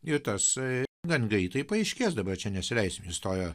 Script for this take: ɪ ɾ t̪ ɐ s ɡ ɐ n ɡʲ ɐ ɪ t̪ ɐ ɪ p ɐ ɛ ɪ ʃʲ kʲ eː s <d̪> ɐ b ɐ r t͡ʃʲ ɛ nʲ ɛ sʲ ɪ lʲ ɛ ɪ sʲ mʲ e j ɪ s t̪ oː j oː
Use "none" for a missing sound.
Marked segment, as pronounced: d̪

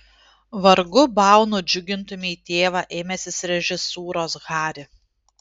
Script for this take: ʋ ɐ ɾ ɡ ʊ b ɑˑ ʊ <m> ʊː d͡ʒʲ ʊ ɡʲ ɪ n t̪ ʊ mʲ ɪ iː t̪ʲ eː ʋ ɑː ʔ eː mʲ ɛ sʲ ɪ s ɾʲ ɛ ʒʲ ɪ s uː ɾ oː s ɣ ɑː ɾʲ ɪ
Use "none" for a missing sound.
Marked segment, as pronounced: n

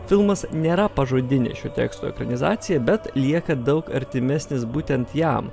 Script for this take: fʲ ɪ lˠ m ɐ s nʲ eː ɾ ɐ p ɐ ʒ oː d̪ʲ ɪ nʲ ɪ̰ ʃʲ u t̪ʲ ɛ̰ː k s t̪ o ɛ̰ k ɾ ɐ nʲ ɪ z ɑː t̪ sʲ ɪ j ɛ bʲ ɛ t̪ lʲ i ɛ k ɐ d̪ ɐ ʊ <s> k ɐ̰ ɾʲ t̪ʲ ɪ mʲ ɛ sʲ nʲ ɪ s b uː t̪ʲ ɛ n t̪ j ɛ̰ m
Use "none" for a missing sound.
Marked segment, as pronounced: none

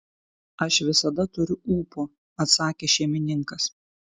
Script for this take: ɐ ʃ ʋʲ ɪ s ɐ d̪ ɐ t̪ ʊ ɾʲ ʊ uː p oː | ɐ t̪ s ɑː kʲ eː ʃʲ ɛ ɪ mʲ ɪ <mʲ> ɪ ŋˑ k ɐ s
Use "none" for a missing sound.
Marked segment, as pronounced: nʲ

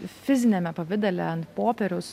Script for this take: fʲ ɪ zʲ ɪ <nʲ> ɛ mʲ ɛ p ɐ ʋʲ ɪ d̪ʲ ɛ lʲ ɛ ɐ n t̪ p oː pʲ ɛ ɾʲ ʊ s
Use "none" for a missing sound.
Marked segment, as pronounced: nʲ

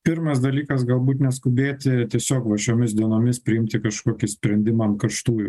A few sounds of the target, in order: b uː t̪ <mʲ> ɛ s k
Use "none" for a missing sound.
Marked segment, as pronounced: nʲ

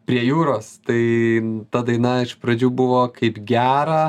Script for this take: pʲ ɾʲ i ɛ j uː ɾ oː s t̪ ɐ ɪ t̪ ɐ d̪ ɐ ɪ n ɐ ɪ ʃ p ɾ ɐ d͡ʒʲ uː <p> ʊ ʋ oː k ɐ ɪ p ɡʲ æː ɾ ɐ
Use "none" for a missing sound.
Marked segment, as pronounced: b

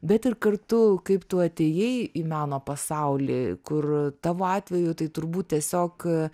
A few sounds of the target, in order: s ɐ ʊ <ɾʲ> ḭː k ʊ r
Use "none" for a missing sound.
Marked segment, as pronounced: lʲ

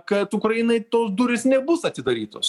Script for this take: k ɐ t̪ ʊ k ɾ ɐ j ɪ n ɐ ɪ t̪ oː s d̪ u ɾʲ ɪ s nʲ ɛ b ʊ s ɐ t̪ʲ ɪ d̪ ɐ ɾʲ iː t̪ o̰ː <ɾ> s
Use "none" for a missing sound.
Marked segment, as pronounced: none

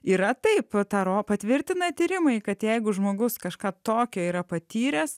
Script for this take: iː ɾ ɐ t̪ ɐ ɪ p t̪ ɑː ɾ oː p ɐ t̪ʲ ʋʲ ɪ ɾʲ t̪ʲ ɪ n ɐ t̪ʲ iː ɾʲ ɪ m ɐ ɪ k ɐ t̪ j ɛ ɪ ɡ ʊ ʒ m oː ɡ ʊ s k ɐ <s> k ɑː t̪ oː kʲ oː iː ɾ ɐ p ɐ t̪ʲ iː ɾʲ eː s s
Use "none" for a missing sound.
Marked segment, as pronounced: ʃ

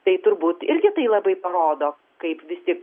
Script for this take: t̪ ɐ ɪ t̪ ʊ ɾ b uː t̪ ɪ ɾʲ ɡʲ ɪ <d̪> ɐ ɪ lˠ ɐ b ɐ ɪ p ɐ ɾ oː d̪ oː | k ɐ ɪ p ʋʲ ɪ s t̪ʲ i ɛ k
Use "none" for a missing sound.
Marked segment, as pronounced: t̪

